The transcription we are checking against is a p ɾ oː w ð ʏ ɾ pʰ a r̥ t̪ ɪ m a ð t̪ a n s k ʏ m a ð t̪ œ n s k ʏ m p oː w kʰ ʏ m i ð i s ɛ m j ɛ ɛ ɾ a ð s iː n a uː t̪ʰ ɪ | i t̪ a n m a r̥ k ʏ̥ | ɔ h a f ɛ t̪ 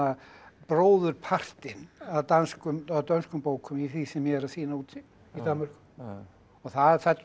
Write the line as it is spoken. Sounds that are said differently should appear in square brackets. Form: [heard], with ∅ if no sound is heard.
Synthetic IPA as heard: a p ɾ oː w ð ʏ ɾ pʰ a r̥ t̪ ɪ [n] a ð t̪ a n s k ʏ m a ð t̪ œ n s k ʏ m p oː w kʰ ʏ m i [θ] i s ɛ m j ɛ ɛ ɾ a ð s iː n a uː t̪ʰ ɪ | i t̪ a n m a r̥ k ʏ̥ | ɔ [θ] a f ɛ t̪